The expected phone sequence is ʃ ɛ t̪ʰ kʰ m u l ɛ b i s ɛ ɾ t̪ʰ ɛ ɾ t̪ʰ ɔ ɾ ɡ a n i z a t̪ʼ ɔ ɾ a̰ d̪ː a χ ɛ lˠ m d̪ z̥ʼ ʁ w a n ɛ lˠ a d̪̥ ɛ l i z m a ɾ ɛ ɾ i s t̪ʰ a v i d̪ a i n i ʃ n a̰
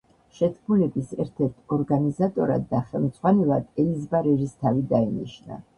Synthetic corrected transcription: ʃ ɛ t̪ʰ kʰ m u l ɛ b i s ɛ ɾ t̪ʰ ɛ ɾ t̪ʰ ɔ ɾ ɡ a n i z a t̪ʼ ɔ ɾ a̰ d̪ː a χ ɛ lˠ m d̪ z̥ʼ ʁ w a n ɛ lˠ a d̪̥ ɛ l i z b a ɾ ɛ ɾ i s t̪ʰ a v i d̪ a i n i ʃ n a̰